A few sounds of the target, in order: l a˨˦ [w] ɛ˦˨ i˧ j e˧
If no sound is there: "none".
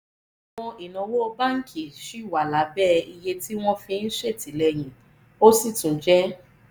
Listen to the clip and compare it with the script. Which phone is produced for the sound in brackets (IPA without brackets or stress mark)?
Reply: b